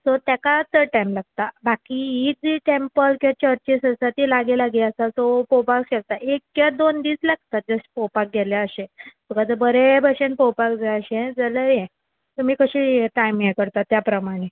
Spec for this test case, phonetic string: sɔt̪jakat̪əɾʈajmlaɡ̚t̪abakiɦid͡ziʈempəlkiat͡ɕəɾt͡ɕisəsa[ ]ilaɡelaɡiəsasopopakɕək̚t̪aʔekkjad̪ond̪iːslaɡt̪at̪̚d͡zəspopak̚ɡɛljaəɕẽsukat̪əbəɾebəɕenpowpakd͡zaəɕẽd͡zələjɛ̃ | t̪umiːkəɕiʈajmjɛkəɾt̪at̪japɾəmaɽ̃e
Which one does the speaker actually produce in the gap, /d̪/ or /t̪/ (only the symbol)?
t̪